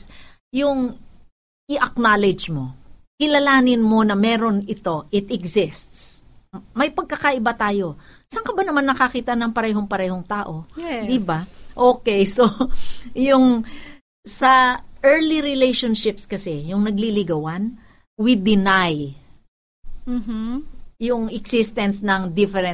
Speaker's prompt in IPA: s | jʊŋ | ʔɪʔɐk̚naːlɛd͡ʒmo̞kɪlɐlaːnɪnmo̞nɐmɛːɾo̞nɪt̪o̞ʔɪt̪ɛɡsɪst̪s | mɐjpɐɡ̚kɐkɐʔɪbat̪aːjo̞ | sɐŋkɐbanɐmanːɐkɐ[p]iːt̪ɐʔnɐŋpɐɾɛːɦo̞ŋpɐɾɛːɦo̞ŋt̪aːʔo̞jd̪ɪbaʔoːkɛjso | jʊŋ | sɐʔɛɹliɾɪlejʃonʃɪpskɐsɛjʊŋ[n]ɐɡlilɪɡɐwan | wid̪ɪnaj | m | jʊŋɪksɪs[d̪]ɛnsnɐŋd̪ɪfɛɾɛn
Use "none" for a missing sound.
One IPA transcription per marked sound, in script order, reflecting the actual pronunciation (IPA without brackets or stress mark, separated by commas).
k, n, t̪